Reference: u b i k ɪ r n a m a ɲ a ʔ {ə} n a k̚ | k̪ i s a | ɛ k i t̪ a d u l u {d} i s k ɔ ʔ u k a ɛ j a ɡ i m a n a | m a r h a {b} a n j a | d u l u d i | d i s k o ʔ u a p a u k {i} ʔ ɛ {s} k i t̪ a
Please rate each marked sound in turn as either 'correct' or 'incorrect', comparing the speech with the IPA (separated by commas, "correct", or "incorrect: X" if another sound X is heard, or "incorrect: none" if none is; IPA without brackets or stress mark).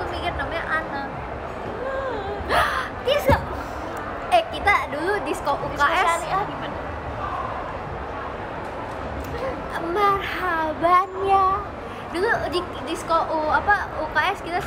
incorrect: a, correct, correct, incorrect: a, correct